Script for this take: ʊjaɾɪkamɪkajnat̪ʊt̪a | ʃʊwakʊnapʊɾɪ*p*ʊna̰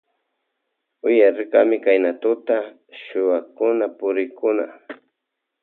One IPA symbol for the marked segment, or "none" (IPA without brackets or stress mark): k